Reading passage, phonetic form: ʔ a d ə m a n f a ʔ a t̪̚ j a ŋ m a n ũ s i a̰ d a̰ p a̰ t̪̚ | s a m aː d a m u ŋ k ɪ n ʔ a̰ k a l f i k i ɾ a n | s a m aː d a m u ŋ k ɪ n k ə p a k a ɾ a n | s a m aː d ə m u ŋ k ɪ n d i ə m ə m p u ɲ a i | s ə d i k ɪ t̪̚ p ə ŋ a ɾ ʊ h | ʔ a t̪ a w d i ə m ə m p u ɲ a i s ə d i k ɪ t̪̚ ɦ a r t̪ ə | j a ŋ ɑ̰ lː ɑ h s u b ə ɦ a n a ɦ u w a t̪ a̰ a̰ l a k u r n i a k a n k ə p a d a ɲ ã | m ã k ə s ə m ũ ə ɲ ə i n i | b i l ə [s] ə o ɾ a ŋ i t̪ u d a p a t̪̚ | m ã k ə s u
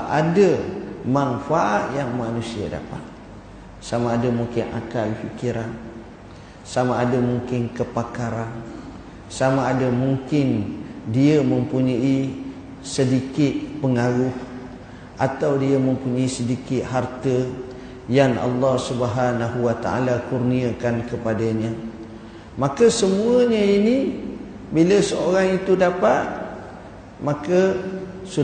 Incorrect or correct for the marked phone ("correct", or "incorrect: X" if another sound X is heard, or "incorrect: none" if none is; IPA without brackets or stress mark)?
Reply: correct